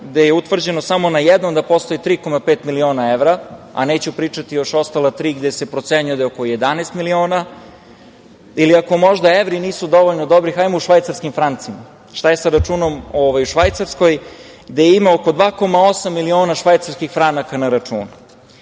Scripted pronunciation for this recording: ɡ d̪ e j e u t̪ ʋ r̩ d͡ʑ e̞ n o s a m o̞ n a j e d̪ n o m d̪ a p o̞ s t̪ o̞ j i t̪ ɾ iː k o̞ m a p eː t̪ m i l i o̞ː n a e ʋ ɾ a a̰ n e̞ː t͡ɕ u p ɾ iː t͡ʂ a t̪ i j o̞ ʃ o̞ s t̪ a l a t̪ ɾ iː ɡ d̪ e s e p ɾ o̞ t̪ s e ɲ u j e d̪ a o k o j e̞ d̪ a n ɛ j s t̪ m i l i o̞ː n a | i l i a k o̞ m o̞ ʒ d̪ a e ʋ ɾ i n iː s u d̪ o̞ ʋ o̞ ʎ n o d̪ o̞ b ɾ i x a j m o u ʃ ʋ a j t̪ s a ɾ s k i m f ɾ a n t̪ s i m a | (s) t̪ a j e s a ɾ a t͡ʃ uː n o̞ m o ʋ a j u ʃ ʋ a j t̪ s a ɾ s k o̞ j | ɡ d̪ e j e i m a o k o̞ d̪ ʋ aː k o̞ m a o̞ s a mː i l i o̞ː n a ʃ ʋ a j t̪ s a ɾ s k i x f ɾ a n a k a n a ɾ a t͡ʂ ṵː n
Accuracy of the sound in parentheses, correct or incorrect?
incorrect: ʃ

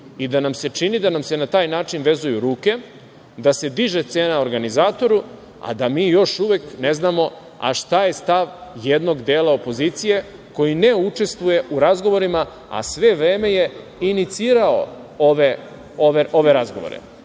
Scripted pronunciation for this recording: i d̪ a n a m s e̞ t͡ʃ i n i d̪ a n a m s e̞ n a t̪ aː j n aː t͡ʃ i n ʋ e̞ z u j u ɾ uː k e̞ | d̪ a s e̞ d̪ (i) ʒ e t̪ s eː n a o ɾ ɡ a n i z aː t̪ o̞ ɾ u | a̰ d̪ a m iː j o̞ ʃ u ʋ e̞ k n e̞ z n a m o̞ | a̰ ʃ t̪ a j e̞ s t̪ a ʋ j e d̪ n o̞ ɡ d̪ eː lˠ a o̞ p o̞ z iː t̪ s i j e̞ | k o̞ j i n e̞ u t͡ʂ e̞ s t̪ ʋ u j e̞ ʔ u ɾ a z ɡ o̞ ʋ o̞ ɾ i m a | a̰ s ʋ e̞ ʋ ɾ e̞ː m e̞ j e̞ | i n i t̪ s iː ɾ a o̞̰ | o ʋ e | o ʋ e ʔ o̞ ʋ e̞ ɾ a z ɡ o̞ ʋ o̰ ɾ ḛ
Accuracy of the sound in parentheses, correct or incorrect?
correct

